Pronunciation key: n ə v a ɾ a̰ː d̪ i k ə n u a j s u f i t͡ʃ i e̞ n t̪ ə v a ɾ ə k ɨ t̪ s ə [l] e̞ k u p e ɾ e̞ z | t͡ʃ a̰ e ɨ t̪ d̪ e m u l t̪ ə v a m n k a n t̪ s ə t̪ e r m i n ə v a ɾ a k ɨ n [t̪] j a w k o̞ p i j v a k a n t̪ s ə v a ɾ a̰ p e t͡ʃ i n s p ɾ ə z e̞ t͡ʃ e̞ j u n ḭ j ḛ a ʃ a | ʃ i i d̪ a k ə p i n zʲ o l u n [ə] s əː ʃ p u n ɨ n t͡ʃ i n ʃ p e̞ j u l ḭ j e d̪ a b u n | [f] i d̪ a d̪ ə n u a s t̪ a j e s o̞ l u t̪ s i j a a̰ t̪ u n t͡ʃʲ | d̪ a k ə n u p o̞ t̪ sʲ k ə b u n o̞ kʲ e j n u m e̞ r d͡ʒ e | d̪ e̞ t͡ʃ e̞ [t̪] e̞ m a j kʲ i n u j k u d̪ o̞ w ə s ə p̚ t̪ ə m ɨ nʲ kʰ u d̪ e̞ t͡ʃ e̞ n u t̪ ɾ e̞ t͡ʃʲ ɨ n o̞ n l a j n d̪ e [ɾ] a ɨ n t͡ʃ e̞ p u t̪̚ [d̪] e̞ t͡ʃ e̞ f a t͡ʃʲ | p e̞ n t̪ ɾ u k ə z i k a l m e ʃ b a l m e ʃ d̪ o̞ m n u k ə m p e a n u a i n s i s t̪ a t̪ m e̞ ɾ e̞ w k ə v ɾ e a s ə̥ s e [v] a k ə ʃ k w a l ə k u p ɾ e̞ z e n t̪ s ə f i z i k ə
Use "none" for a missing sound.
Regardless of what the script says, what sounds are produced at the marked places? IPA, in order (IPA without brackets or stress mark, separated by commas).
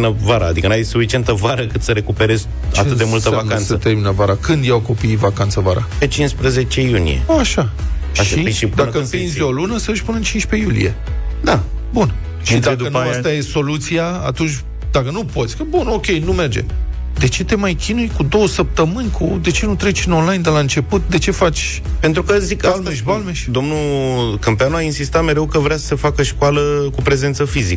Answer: ɾ, d̪, ə, ʃ, t̪, l, d̪, f